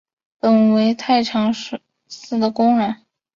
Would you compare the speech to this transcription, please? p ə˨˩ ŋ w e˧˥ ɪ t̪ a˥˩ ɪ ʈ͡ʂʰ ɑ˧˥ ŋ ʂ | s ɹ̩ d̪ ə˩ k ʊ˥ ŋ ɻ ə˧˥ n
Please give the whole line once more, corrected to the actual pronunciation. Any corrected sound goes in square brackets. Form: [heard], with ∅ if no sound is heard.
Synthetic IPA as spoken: p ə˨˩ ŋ w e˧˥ ɪ [t̪ʰ] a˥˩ ɪ ʈ͡ʂʰ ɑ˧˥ ŋ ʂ | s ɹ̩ d̪ ə˩ k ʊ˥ ŋ ɻ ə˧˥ n